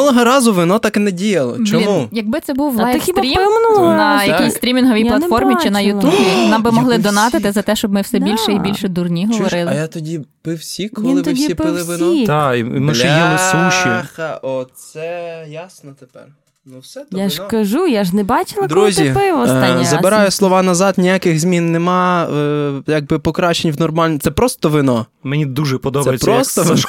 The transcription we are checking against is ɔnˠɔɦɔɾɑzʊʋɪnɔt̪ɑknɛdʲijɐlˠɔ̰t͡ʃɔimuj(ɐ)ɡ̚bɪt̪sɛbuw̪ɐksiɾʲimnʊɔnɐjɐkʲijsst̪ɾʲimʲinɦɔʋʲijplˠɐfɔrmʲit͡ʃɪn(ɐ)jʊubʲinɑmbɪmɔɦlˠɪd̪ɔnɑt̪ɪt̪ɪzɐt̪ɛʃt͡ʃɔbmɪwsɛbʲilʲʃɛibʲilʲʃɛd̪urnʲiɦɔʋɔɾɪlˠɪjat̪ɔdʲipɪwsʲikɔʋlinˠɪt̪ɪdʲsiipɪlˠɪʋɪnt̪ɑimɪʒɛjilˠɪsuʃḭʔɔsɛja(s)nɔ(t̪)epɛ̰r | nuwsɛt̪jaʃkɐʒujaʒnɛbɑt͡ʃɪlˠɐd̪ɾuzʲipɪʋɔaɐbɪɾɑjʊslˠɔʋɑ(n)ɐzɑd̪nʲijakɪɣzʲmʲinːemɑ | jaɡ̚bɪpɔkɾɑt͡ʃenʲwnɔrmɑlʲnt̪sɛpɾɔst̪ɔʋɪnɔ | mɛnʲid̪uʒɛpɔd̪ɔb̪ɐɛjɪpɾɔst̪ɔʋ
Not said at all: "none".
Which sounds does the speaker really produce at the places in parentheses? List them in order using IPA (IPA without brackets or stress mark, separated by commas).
ɐ, ɐ, s, t̪, n